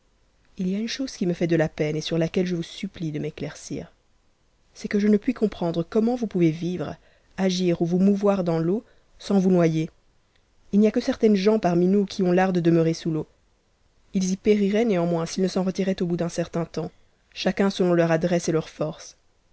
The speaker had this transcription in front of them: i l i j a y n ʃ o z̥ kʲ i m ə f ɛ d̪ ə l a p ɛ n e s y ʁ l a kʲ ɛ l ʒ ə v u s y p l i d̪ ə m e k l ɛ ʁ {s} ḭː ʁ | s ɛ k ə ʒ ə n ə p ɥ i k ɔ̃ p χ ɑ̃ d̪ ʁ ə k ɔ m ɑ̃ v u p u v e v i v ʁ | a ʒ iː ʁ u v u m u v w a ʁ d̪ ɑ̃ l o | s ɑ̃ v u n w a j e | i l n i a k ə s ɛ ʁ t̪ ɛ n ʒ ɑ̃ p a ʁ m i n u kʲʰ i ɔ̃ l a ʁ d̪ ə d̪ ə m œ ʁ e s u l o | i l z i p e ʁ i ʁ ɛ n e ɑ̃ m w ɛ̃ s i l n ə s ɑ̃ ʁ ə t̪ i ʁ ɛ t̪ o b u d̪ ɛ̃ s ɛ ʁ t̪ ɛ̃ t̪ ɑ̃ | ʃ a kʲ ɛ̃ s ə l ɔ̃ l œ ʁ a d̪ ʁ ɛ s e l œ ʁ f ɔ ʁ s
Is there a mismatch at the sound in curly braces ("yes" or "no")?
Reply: no